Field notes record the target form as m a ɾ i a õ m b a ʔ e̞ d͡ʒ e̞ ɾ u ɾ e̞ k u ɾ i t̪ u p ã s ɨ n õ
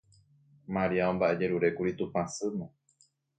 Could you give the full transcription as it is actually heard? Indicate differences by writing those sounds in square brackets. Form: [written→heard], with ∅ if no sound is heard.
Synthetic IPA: m a ɾ i a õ m b a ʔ e̞ d͡ʒ e̞ ɾ u ɾ e̞ k u ɾ i t̪ u p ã s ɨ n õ